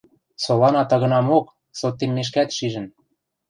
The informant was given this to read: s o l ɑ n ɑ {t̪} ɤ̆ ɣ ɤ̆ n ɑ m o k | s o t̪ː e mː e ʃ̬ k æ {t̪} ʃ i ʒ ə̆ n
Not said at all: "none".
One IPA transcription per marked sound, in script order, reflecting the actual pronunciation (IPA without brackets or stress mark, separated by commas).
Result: t̪, t̪